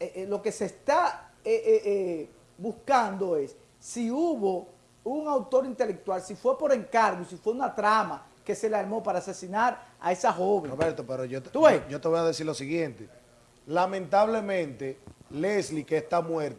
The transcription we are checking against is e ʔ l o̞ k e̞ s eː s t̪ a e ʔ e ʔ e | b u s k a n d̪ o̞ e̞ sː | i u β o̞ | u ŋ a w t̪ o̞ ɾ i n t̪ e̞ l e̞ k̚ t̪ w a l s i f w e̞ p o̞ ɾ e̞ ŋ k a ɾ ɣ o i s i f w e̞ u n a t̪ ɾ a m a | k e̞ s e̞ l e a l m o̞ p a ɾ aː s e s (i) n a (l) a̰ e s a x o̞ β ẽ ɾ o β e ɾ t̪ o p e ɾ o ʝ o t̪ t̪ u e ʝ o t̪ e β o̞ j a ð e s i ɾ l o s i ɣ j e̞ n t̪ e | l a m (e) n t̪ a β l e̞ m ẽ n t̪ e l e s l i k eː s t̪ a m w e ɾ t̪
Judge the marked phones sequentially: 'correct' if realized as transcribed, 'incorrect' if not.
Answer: correct, incorrect: ɾ, incorrect: ẽ

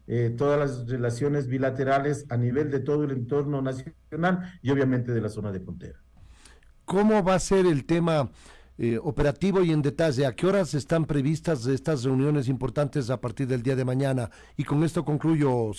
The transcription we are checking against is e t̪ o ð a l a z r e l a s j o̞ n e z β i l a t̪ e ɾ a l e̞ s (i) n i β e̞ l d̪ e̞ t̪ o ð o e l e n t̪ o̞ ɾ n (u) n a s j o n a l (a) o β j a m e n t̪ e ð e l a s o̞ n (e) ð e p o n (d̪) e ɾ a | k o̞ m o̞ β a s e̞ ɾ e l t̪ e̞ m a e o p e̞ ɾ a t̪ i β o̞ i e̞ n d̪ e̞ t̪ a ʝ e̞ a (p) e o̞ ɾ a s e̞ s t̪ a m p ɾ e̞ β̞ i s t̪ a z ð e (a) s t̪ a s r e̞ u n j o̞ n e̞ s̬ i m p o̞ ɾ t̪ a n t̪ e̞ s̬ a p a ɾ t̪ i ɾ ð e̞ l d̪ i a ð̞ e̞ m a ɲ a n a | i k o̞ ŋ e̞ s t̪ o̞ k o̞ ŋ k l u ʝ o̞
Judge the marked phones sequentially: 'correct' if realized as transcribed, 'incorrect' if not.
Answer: incorrect: a, incorrect: o, incorrect: i, incorrect: a, incorrect: t̪, incorrect: k, incorrect: e

